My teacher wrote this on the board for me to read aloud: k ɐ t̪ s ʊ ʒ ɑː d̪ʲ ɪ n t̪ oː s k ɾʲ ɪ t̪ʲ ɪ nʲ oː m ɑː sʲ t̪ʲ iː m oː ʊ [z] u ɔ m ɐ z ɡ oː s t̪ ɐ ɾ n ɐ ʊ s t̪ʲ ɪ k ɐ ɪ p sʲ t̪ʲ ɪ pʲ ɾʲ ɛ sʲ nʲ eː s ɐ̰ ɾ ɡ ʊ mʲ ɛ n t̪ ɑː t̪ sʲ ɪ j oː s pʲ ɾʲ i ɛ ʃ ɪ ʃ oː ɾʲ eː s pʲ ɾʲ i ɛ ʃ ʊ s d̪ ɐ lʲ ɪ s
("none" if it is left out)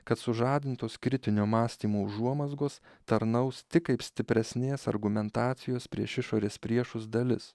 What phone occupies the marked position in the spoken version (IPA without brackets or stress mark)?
ʒ